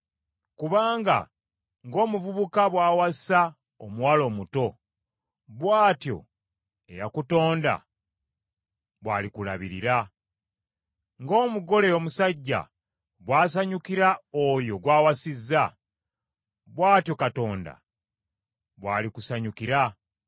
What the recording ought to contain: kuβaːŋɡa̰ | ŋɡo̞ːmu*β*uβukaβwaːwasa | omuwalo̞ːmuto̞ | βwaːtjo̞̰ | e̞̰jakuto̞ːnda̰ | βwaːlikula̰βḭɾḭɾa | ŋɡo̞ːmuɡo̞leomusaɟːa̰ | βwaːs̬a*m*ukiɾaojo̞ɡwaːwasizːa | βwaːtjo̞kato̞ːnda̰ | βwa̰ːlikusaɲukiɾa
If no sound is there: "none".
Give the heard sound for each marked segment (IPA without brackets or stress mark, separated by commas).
v, ɲ